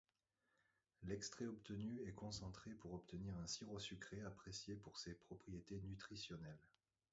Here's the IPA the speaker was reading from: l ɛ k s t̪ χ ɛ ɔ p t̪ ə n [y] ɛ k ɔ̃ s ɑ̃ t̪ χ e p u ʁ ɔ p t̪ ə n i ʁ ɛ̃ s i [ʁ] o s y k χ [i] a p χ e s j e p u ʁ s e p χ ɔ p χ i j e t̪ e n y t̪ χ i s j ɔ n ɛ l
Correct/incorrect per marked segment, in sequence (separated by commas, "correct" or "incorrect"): correct, correct, incorrect